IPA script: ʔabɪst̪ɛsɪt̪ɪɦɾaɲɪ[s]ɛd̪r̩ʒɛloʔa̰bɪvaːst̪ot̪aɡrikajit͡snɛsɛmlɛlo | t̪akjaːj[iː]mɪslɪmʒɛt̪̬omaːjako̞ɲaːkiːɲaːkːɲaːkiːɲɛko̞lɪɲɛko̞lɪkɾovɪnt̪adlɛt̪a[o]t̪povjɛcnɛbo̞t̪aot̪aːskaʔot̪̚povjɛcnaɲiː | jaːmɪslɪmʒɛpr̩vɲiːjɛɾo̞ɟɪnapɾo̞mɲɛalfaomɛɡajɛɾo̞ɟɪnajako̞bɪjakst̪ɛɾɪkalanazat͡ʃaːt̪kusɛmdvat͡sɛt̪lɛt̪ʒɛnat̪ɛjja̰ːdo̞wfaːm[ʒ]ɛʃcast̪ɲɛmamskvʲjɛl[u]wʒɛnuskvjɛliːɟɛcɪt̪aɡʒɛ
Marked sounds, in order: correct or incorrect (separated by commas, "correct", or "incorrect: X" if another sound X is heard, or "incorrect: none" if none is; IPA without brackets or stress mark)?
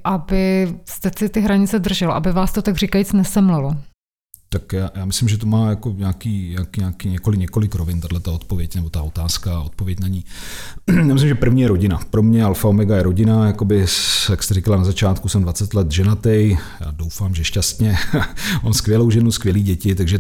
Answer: incorrect: t͡s, incorrect: aː, correct, correct, incorrect: o